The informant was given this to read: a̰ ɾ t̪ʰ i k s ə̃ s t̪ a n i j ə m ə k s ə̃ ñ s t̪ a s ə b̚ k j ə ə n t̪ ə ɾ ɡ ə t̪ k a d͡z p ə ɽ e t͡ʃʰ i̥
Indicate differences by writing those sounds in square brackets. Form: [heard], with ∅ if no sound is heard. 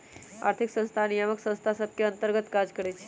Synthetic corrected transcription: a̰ ɾ t̪ʰ i k s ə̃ s [t̪ʰ] a n i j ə m ə k s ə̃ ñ s [t̪ʰ] a s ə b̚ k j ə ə n t̪ ə ɾ ɡ ə t̪ k a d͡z [k] ə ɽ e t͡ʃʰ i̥